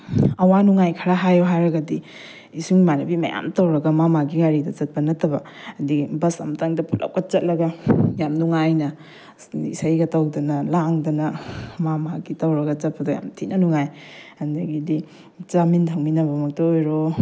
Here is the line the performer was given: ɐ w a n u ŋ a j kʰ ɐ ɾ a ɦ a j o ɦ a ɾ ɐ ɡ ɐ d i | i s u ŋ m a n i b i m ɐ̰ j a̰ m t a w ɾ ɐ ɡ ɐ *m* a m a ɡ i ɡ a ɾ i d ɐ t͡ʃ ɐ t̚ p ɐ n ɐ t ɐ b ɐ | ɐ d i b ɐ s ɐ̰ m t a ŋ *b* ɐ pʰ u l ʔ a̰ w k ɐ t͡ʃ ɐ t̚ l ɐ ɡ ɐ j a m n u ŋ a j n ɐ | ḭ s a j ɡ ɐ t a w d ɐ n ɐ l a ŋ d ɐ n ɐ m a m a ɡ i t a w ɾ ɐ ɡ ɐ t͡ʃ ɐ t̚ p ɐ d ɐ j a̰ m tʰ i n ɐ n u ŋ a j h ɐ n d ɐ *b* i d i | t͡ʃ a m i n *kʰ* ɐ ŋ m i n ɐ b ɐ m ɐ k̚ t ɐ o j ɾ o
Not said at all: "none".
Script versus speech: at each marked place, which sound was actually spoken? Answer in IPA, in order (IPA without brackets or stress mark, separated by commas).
m, d, ɡ, tʰ